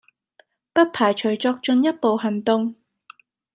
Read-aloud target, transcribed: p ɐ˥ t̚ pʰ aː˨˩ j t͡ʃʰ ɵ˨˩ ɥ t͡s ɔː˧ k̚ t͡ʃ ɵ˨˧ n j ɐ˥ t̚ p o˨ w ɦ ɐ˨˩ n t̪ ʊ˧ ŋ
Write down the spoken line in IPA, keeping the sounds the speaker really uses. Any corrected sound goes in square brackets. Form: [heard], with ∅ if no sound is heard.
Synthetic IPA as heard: p ɐ˥ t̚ pʰ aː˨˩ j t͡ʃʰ ɵ˨˩ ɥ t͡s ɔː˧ k̚ t͡ʃ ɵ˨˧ n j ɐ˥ t̚ p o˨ w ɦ ɐ˨˩ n t̪ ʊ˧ ŋ